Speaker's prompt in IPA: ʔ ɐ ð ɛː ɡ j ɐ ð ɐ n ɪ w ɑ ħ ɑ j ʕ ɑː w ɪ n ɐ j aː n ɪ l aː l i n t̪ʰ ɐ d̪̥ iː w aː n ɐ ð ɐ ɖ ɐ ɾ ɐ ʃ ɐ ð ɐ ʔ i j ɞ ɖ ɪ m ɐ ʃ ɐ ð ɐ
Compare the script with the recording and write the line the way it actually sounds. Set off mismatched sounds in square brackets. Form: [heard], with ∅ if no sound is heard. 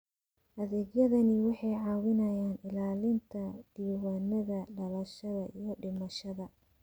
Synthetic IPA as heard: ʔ ɐ ð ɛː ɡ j ɐ ð ɐ n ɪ w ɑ ħ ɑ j ʕ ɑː w ɪ n ɐ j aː n ɪ l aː l [ɪ] n t̪ʰ ɐ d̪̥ iː w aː n ɐ ð ɐ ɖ ɐ [l] ɐ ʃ ɐ ð ɐ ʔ i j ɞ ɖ ɪ m ɐ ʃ ɐ ð ɐ